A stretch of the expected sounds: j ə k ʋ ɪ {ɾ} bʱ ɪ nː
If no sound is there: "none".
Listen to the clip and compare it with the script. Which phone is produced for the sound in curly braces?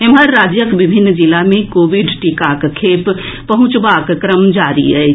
none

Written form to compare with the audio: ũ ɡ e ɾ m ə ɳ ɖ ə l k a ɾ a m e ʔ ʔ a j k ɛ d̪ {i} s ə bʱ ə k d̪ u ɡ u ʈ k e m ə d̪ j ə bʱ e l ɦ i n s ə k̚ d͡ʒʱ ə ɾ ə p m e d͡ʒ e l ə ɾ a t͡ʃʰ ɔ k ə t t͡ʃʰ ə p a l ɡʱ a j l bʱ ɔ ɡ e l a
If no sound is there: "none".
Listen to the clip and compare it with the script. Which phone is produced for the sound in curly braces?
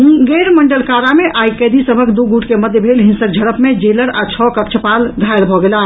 i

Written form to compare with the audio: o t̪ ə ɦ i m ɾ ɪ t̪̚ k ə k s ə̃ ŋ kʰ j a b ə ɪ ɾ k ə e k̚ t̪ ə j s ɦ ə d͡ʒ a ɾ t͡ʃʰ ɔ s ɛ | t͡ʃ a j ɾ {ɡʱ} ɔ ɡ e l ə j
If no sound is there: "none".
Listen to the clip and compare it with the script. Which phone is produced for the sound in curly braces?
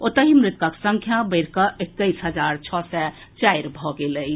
bʱ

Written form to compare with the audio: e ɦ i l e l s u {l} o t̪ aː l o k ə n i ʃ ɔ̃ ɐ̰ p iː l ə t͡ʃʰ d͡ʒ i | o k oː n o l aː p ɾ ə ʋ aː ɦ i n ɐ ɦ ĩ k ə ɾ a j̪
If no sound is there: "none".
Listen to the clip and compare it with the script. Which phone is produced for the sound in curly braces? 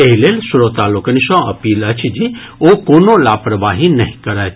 ɾ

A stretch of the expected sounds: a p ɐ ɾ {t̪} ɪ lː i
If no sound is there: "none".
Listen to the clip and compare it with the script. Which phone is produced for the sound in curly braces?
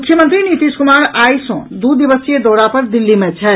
d̪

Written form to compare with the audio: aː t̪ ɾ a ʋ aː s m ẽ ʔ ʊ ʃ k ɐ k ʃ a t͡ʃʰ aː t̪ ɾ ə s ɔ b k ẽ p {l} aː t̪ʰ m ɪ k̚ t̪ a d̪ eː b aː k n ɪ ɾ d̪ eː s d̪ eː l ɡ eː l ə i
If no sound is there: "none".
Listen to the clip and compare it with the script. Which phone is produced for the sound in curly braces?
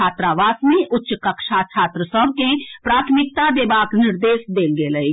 ɾ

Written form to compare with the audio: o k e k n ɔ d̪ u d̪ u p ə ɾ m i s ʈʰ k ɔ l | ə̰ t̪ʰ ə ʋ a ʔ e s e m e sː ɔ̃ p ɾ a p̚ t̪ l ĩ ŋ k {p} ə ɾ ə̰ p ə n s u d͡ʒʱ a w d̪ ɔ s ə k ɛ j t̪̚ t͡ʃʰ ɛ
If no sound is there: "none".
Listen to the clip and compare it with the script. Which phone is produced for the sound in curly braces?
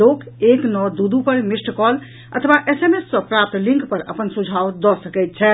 p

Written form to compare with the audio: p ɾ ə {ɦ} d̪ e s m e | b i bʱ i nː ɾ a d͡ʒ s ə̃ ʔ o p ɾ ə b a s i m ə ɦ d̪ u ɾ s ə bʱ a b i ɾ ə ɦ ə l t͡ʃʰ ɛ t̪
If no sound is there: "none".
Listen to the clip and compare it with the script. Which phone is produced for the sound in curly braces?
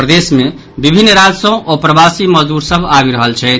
none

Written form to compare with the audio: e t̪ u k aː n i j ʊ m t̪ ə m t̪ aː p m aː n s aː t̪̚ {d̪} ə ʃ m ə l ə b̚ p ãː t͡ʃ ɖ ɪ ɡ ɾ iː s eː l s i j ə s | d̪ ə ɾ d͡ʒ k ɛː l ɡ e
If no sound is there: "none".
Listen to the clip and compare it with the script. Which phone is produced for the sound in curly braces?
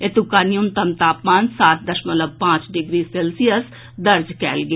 d̪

